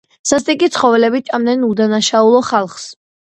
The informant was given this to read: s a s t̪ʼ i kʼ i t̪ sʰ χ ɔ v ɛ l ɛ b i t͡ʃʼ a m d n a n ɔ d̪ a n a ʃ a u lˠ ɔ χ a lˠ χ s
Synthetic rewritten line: s a s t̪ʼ i kʼ i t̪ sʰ χ ɔ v ɛ l ɛ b i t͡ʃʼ a m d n ɛ n u d̪ a n a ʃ a u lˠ ɔ χ a lˠ χ s

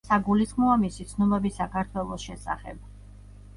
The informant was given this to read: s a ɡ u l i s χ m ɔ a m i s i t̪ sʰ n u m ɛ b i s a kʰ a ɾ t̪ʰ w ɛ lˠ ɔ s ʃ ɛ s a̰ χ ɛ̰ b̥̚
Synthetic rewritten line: s a ɡ u l i s χ m ɔ a m i s i t̪ sʰ n u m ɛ b i s a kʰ a ɾ t̪ʰ w ɛ lˠ ɔ s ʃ ɛ s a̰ χ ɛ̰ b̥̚

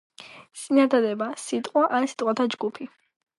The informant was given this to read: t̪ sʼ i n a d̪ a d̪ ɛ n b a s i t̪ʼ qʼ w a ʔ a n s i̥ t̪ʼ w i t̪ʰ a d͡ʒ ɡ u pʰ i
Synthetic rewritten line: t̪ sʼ i n a d̪ a d̪ ɛ b a s i t̪ʼ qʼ w a ʔ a n s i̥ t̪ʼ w a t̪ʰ a d͡ʒ ɡ u pʰ i

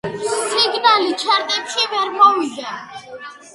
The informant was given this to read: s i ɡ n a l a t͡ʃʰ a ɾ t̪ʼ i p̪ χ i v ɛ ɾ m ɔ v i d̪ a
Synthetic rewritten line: s i ɡ n a l i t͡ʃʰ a ɾ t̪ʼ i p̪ ʃ i v ɛ ɾ m ɔ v i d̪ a

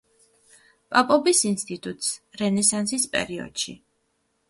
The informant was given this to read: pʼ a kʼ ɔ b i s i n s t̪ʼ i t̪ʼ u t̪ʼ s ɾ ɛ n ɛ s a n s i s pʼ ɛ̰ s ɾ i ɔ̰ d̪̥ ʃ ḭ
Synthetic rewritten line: pʼ a pʼ ɔ b i s i n s t̪ʼ i t̪ʼ u t̪ʼ s ɾ ɛ n ɛ s a n s i s pʼ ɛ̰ ɾ i ɔ̰ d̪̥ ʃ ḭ

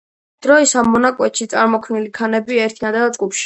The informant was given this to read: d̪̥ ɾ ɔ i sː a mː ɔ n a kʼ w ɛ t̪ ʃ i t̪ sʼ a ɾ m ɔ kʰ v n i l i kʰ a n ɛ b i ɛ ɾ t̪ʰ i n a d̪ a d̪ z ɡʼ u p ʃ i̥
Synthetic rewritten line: d̪̥ ɾ ɔ i s a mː ɔ n a kʼ w ɛ t̪ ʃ i t̪ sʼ a ɾ m ɔ kʰ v n i l i kʰ a n ɛ b i ɛ ɾ t̪ʰ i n a d̪ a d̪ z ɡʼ u p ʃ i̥

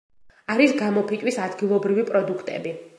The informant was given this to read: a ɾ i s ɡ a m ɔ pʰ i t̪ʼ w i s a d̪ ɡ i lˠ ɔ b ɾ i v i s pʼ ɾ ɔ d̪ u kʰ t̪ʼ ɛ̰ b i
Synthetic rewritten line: a ɾ i s ɡ a m ɔ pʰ i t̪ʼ w i s a d̪ ɡ i lˠ ɔ b ɾ i v i pʼ ɾ ɔ d̪ u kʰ t̪ʼ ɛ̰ b i

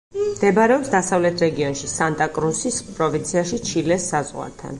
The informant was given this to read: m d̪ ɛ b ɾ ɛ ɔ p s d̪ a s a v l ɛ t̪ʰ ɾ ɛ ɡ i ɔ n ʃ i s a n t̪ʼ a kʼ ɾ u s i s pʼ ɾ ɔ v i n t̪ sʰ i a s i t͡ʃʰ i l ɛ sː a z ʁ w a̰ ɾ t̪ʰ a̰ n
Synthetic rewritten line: m d̪ ɛ b ɾ ɛ ɔ p s d̪ a s a v l ɛ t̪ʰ ɾ ɛ ɡ i ɔ n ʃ i s a n t̪ʼ a kʼ ɾ u s i s pʼ ɾ ɔ v i n t̪ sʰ i a ʃ i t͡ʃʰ i l ɛ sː a z ʁ w a̰ ɾ t̪ʰ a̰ n

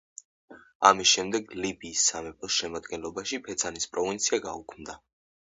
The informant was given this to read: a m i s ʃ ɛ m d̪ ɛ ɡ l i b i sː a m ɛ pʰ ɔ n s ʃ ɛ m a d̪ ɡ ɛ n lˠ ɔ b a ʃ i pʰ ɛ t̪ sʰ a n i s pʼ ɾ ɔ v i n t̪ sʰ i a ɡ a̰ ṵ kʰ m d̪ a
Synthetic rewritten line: a m i s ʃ ɛ m d̪ ɛ ɡ l i b iː sː a m ɛ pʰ ɔ s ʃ ɛ m a d̪ ɡ ɛ n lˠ ɔ b a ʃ i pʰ ɛ t̪ sʰ a n i s pʼ ɾ ɔ v i n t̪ sʰ i a ɡ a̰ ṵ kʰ m d̪ a

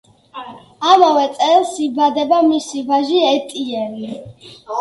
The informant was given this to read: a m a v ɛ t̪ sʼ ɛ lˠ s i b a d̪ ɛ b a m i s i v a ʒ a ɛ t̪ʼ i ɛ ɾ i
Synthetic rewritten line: a m a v ɛ t̪ sʼ ɛ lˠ s i b a d̪ ɛ b a m i s i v a ʒ i ɛ t̪ʼ i ɛ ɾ i

